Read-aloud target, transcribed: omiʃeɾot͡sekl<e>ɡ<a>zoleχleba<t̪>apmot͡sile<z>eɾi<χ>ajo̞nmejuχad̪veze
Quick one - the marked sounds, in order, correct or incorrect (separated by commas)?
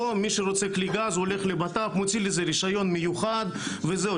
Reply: incorrect, correct, correct, correct, incorrect